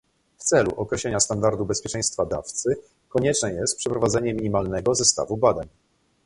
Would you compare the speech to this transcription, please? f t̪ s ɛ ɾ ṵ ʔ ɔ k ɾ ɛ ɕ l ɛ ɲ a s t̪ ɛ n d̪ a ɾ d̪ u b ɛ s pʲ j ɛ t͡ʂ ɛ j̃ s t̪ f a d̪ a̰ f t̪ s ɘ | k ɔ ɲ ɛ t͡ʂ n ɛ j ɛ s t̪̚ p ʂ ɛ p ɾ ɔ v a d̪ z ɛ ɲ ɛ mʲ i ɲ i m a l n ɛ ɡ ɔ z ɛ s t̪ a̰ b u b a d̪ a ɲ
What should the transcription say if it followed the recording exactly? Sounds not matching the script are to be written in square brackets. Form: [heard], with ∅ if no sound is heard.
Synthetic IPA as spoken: f t̪ s ɛ [l] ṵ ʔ ɔ k ɾ ɛ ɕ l ɛ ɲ a s t̪ [a] n d̪ a ɾ d̪ u b ɛ s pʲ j ɛ t͡ʂ ɛ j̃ s t̪ f a d̪ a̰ f t̪ s ɘ | k ɔ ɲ ɛ t͡ʂ n ɛ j ɛ s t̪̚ p ʂ ɛ p ɾ ɔ v a d̪ z ɛ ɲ ɛ mʲ i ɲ i m a l n ɛ ɡ ɔ z ɛ s t̪ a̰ [v] u b a d̪ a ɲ